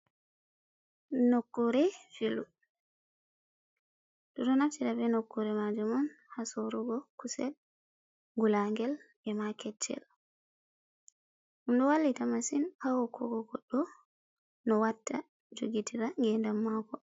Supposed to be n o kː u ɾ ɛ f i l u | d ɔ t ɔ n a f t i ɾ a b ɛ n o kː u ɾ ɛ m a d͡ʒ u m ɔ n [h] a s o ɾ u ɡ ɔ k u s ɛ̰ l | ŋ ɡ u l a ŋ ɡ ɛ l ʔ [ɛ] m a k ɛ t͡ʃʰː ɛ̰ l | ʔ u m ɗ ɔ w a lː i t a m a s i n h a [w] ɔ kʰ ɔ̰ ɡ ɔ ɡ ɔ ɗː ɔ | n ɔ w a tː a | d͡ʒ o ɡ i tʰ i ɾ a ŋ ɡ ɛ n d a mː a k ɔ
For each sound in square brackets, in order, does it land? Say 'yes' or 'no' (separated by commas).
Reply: yes, yes, yes